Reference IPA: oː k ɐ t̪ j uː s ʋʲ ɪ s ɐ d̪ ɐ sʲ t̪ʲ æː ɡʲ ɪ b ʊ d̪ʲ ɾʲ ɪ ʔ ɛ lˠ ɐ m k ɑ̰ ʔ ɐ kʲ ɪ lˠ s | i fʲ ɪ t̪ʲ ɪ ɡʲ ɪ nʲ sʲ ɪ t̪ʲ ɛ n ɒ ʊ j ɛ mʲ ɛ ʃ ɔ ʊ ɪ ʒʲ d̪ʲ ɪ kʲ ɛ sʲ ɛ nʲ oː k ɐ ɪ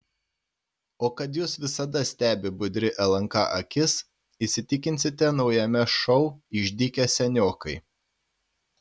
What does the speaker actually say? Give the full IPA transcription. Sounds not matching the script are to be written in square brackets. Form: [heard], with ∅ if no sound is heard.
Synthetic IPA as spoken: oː k ɐ t̪ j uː s ʋʲ ɪ s ɐ d̪ ɐ sʲ t̪ʲ æː [bʲ] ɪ b ʊ d̪ʲ ɾʲ ɪ ʔ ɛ lˠ ɐ [ŋ] k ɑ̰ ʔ ɐ kʲ ɪ [∅] s | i [sʲ] ɪ t̪ʲ ɪ [kʲ] ɪ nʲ sʲ ɪ t̪ʲ ɛ n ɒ ʊ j ɛ mʲ ɛ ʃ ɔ ʊ ɪ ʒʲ d̪ʲ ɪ kʲ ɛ sʲ ɛ nʲ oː k ɐ ɪ